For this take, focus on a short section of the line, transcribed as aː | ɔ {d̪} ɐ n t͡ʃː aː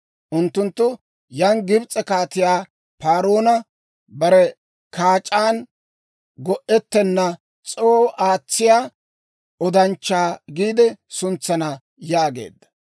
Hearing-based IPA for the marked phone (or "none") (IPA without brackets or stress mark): d̪